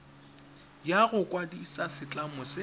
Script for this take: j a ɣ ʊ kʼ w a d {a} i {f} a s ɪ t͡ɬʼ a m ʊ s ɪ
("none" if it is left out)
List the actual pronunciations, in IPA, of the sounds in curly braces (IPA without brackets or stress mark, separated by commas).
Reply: i, s